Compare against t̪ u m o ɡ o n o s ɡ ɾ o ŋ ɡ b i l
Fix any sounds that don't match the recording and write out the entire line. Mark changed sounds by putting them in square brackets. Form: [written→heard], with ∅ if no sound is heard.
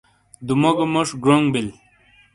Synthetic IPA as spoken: [t̪→d̪] u m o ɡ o [n→m] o [s→ʂ] ɡ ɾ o ŋ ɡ b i l